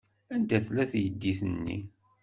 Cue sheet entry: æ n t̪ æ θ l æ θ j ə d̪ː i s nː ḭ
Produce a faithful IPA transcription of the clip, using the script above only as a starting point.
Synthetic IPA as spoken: æ n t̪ æ θ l æ θ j ə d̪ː i θ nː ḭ